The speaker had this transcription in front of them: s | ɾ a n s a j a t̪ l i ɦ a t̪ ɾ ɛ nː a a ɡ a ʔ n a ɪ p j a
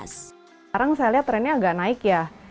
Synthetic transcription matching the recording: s | ɾ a ŋ s a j a l i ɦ a t̪ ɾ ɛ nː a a ɡ a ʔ n a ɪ k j a